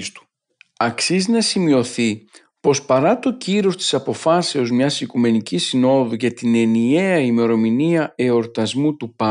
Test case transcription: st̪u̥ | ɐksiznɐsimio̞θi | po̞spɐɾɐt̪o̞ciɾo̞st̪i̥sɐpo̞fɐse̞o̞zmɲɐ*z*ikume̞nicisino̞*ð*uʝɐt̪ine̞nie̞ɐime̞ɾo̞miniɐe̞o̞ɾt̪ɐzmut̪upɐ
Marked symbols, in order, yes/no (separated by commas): no, yes